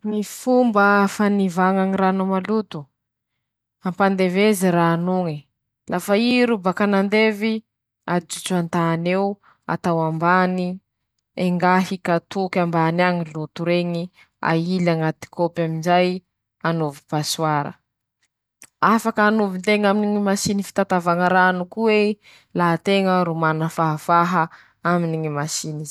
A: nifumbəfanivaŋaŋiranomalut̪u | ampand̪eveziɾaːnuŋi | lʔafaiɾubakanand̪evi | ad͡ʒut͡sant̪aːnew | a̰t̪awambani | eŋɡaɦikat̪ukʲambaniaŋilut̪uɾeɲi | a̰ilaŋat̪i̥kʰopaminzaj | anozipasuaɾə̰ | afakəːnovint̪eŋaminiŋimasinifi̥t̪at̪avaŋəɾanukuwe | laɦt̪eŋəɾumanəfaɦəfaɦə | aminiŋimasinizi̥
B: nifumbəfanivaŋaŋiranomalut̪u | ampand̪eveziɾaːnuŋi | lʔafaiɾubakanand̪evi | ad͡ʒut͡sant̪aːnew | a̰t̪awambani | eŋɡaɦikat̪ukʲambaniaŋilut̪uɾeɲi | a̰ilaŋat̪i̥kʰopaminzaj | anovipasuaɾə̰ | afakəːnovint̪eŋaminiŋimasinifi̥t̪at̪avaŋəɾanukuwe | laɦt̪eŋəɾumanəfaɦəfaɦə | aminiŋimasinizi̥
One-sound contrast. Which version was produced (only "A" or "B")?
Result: B